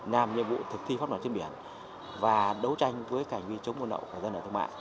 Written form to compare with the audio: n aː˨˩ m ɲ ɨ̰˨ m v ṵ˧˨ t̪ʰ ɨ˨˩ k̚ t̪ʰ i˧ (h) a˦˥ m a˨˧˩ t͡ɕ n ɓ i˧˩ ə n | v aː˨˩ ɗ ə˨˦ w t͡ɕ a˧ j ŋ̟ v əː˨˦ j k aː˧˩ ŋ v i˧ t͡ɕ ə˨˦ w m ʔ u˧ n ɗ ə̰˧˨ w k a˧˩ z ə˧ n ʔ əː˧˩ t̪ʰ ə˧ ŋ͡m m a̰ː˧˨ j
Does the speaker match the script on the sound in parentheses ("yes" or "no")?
no